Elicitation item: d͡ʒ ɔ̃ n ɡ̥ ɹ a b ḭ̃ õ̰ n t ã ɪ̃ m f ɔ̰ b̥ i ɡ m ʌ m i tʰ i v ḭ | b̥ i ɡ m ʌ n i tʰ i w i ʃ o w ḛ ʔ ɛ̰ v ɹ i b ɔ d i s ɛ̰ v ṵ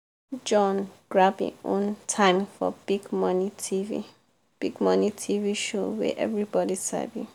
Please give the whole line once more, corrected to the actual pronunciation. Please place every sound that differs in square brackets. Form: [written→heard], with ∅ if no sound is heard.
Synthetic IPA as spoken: d͡ʒ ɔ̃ n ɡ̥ ɹ a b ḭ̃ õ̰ n [t→tʰ] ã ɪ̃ m f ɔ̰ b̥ i ɡ m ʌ [m→n] i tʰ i v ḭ | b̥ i ɡ m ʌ n i tʰ i [w→v] i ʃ o w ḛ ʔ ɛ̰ v ɹ i b ɔ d i s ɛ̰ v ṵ